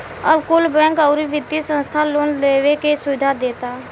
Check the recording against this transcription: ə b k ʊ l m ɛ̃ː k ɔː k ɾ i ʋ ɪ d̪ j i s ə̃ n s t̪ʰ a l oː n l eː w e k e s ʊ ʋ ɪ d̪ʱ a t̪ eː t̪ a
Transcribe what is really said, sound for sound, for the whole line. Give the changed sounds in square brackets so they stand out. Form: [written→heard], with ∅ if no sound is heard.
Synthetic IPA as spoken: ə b k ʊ l [m→b] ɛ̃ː k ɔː [k→∅] ɾ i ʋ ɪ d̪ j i s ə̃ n s t̪ʰ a l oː n l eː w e k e s ʊ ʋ ɪ d̪ʱ a [t̪→d̪] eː t̪ a